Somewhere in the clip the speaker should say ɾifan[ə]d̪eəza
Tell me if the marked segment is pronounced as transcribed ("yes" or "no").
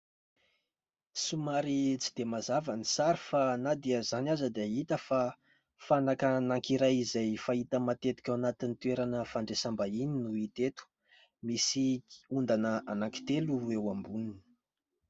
no